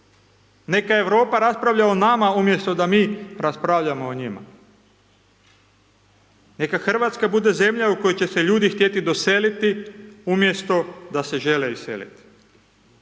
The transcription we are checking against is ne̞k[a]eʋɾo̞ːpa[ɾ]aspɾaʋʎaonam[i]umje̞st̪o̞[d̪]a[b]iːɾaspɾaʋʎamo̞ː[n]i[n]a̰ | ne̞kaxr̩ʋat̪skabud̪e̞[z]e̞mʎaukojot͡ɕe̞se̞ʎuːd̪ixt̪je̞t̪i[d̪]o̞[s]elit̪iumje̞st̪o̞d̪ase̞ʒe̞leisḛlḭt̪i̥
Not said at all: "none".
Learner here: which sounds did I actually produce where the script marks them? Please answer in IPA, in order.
a, ɾ, a, d̪, m, ɲ, m, z, d̪, s

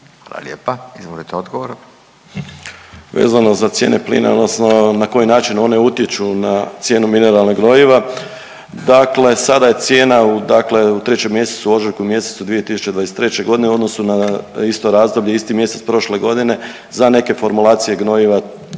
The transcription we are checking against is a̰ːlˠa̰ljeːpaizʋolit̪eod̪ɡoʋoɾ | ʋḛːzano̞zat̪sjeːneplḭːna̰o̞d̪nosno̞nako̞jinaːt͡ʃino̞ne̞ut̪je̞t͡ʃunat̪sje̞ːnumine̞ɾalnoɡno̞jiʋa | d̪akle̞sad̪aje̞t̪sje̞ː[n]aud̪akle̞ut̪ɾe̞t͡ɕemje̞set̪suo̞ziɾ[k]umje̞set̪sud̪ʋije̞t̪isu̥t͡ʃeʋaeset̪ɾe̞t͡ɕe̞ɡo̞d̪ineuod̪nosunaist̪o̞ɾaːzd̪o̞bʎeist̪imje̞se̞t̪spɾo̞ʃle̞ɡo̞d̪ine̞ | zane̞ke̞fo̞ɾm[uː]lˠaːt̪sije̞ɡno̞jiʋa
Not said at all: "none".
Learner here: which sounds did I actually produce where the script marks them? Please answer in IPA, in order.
n, k, u

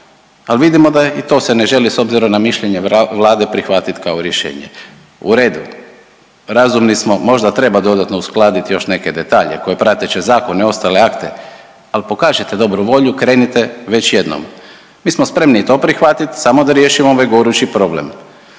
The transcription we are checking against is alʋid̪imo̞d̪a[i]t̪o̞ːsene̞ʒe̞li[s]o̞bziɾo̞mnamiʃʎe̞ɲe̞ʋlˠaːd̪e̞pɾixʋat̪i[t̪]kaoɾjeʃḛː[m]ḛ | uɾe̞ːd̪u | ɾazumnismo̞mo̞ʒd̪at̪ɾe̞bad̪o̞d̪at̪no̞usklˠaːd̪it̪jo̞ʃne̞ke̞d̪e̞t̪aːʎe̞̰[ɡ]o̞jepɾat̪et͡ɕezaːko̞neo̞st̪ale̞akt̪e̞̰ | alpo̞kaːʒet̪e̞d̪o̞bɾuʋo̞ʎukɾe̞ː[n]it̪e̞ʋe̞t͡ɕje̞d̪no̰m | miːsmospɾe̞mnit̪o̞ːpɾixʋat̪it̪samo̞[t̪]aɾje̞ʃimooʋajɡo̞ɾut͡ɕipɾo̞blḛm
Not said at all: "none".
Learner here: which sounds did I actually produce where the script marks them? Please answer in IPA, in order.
i, s, t̪, ɲ, k, n, d̪

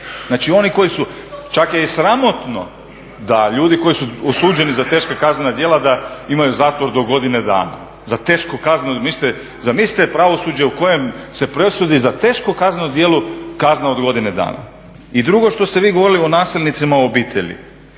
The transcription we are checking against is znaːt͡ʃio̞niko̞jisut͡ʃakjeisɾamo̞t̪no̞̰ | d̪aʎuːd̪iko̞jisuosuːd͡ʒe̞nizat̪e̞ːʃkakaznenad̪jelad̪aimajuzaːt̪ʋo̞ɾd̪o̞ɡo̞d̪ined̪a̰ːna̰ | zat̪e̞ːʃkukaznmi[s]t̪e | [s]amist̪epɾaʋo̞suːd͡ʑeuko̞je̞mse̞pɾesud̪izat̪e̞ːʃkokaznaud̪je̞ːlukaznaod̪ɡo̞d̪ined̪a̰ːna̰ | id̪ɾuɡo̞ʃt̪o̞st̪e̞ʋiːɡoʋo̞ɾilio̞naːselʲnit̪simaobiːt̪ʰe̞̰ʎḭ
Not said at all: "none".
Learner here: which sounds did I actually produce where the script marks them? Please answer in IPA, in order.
s, z

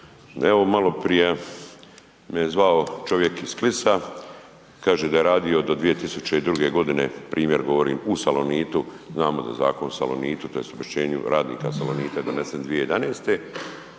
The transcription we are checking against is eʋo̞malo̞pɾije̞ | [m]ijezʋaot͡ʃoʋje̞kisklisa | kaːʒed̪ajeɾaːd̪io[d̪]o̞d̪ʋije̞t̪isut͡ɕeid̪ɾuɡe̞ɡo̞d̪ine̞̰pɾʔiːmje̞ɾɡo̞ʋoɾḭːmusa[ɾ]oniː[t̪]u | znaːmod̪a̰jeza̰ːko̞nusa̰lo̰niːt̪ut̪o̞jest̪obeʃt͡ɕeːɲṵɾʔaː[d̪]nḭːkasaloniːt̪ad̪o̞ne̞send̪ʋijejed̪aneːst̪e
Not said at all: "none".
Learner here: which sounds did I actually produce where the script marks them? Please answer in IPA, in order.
m, d̪, l, t̪, d̪

